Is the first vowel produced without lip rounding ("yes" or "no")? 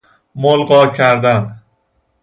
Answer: no